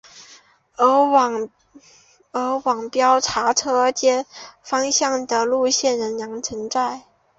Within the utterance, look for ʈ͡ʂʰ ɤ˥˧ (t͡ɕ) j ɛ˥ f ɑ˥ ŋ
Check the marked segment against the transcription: correct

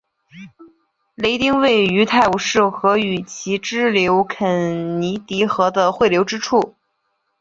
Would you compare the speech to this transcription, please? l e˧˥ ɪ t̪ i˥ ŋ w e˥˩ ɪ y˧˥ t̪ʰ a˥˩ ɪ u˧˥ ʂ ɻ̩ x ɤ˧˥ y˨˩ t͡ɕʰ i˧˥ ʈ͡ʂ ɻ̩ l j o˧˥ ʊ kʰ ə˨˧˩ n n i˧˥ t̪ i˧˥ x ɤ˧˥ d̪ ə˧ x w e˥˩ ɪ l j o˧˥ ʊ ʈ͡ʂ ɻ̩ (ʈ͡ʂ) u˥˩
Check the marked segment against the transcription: incorrect: ʈ͡ʂʰ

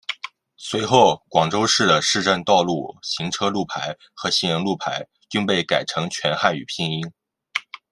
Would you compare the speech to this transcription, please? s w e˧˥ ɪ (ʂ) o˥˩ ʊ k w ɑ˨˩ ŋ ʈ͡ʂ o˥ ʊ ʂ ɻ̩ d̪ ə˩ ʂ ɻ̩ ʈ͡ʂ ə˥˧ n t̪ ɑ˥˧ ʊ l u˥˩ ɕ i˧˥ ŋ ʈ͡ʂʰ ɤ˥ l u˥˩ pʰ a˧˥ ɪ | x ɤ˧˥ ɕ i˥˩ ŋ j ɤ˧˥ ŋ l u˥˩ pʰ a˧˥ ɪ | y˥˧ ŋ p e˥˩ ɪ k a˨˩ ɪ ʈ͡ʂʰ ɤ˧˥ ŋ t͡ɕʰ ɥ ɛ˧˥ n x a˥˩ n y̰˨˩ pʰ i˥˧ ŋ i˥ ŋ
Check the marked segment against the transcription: incorrect: x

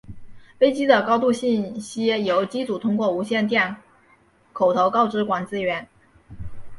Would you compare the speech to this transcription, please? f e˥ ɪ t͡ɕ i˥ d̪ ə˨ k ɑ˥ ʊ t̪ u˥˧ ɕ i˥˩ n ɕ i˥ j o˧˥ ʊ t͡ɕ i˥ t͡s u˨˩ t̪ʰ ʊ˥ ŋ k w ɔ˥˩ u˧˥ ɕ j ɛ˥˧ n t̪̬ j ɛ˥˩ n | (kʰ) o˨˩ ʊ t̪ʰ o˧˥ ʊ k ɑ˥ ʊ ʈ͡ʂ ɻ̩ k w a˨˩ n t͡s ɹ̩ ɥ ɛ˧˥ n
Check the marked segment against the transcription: correct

